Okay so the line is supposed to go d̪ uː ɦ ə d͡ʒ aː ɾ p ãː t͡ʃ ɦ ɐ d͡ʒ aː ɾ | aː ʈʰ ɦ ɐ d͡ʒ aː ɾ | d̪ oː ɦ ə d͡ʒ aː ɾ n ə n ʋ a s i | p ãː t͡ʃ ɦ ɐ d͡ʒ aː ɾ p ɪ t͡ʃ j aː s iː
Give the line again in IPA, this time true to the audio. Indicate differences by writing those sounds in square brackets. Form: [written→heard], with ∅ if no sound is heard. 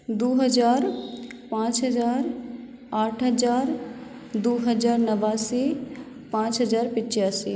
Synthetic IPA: d̪ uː ɦ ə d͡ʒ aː ɾ p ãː t͡ʃ ɦ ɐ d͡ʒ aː ɾ | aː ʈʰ ɦ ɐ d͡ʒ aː ɾ | d̪ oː ɦ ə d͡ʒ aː ɾ n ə [n→∅] ʋ a s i | p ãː t͡ʃ ɦ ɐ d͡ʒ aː ɾ p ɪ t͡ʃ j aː s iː